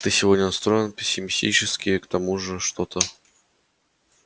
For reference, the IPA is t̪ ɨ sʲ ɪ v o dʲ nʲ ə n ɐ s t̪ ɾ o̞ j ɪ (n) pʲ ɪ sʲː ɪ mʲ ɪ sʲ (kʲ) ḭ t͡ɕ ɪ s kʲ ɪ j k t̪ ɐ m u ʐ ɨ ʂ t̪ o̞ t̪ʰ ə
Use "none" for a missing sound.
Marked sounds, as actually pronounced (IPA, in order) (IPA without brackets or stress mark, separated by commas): n, tʲ